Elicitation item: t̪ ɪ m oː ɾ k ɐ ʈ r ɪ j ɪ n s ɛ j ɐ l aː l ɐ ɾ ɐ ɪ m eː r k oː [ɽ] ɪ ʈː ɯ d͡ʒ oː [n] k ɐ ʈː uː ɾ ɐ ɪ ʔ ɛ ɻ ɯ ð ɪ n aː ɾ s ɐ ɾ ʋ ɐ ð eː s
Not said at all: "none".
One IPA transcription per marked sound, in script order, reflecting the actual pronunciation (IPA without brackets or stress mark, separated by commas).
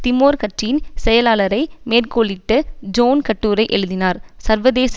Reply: ɭ, n